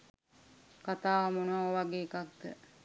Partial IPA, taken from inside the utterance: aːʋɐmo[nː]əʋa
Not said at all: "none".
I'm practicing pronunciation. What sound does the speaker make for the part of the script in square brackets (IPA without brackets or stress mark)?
n